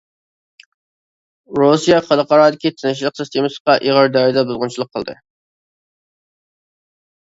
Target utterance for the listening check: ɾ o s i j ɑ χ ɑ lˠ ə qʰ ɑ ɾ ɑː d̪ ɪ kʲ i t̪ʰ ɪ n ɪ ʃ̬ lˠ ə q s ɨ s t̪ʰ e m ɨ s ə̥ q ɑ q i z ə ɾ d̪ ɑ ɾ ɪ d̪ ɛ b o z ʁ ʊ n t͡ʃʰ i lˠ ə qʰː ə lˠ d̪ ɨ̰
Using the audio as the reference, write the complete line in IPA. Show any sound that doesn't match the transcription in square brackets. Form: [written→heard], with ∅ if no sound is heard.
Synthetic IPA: ɾ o s i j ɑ χ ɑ lˠ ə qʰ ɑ ɾ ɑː d̪ ɪ kʲ i t̪ʰ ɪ n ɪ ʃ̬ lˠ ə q s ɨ s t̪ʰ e m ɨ s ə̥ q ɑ [q→ʔ] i [z→ʁ] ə ɾ d̪ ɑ ɾ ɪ d̪ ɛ b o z ʁ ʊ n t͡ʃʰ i lˠ ə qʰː ə lˠ d̪ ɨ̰